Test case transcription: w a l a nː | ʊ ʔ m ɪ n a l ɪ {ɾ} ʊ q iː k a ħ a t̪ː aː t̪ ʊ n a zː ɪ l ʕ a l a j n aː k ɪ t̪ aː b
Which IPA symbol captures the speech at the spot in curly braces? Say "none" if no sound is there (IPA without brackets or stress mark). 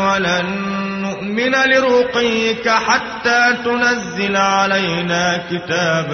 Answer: ɾ